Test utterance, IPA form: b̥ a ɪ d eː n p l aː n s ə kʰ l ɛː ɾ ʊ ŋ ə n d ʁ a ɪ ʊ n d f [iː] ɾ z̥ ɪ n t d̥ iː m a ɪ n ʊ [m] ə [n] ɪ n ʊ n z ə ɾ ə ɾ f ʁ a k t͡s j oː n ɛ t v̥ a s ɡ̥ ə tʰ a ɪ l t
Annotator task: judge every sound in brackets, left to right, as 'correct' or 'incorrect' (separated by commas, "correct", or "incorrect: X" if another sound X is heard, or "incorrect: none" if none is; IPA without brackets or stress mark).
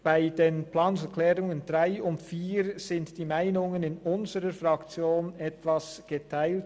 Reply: correct, incorrect: ŋ, correct